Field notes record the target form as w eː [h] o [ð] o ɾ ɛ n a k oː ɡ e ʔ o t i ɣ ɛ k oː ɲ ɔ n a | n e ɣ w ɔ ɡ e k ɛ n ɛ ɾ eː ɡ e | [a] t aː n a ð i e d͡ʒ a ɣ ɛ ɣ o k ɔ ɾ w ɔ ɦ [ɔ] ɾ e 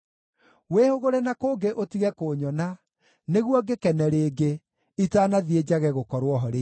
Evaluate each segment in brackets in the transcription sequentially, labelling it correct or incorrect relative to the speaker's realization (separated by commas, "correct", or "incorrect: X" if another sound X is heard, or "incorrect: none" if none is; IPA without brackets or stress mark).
correct, incorrect: ɣ, incorrect: i, correct